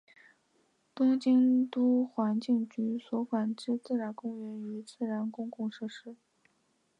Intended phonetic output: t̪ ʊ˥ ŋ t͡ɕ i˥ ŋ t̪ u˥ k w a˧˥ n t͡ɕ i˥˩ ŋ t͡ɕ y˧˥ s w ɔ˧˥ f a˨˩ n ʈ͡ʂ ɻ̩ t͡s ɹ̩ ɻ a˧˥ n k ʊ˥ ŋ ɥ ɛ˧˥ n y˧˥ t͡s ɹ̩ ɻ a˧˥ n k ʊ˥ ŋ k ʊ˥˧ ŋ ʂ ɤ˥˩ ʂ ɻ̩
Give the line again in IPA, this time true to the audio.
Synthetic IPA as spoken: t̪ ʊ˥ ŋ t͡ɕ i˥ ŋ t̪ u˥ x w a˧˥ n t͡ɕ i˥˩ ŋ t͡ɕ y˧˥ s w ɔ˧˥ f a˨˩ n ʈ͡ʂ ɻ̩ t͡s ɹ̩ ɻ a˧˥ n k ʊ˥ ŋ ɥ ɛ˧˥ n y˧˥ t͡s ɹ̩ ɻ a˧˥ n k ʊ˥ ŋ k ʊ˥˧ ŋ ʂ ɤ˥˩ ʂ ɻ̩